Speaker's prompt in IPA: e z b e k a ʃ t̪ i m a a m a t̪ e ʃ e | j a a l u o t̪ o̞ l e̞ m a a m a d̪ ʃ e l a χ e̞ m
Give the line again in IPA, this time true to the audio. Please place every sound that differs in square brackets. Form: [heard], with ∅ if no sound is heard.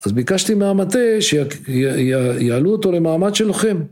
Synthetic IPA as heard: [a] z b [i] k a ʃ t̪ i m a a m a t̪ e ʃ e | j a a l u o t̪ o̞ l e̞ m a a m a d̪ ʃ e l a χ e̞ m